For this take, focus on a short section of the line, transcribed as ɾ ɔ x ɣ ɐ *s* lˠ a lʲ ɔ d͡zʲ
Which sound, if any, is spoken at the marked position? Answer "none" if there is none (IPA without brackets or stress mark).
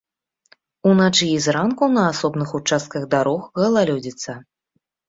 none